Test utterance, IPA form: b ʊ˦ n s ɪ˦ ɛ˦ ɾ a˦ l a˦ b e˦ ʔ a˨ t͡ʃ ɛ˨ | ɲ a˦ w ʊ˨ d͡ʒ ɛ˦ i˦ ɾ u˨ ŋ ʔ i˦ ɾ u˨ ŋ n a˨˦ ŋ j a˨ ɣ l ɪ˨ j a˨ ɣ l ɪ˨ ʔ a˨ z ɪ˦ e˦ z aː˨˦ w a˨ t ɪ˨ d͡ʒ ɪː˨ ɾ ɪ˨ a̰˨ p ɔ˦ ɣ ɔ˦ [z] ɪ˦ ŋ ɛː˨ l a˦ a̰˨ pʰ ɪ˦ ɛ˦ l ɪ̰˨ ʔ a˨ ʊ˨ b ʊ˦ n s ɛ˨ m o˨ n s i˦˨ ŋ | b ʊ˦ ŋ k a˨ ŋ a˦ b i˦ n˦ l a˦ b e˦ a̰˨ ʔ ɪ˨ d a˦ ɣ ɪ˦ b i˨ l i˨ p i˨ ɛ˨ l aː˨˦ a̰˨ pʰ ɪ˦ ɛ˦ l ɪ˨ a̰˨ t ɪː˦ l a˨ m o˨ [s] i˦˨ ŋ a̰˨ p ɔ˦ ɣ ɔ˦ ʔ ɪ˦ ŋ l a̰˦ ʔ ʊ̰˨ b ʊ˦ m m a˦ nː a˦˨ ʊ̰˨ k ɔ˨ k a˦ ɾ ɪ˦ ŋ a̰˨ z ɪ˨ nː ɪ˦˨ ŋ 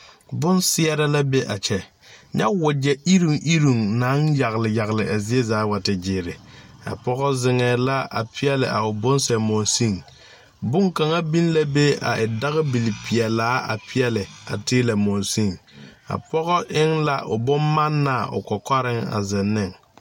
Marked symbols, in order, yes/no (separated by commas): yes, yes